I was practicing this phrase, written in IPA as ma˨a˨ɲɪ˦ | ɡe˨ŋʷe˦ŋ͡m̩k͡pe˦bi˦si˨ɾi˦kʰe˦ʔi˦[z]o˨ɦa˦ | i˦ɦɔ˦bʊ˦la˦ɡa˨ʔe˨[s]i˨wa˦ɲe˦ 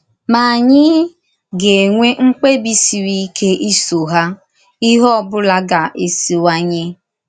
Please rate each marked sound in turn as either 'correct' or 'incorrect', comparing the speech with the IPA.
incorrect, correct

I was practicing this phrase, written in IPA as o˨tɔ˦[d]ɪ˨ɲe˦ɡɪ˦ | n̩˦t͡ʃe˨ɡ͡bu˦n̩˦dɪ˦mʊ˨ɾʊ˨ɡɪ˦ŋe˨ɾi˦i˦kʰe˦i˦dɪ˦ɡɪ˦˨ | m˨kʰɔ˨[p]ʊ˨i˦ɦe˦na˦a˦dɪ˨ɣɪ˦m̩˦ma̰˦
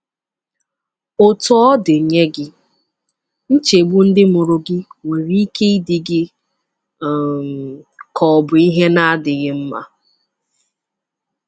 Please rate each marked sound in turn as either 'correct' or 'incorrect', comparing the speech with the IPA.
correct, incorrect

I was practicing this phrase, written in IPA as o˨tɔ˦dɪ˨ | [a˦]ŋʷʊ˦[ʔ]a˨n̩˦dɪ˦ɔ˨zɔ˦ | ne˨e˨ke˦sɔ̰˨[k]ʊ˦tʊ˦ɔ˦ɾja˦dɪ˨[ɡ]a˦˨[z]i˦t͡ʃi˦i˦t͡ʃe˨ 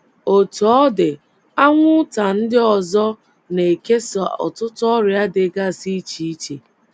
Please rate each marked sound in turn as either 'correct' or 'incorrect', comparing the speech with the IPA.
correct, incorrect, incorrect, correct, incorrect

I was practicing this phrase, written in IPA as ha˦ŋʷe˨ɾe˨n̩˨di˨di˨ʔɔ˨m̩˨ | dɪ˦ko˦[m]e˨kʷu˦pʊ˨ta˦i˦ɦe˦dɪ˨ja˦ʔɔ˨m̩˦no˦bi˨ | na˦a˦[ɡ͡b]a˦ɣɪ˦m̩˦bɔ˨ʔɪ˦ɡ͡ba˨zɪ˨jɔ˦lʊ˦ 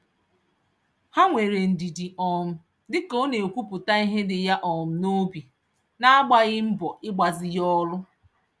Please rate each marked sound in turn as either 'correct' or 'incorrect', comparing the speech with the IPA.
incorrect, correct

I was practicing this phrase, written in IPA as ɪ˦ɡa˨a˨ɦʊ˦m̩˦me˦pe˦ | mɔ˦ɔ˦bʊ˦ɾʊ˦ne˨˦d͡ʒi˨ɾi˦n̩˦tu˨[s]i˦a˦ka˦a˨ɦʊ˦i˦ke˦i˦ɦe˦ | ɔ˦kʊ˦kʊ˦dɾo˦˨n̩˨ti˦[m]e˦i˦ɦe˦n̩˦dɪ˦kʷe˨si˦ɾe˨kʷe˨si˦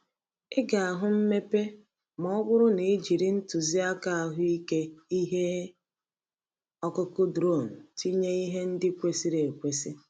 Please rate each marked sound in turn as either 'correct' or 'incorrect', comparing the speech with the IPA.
incorrect, incorrect

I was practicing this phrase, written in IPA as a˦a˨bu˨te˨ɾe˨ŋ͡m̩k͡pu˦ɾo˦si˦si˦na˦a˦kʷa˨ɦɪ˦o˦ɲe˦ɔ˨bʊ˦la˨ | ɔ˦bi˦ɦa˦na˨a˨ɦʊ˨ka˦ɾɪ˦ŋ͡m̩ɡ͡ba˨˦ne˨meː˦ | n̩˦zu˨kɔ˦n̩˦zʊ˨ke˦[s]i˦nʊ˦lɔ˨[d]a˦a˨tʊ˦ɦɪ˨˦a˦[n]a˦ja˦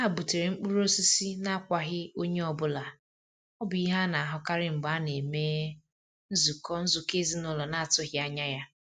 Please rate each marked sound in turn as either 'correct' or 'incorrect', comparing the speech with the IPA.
incorrect, incorrect, incorrect

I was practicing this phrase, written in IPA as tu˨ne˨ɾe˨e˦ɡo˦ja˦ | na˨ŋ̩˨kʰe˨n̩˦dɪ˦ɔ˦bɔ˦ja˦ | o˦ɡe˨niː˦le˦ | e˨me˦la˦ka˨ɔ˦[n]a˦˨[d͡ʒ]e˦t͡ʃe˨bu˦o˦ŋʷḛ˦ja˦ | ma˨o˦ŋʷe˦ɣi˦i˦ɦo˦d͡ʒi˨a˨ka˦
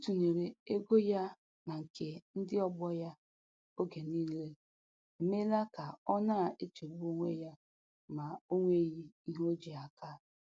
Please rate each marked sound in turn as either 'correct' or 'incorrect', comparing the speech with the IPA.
correct, incorrect

